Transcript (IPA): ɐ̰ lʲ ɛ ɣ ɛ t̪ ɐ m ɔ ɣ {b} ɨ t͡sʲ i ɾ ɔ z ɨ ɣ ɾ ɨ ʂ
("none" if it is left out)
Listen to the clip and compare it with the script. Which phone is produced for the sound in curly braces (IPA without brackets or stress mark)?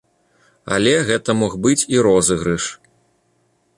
b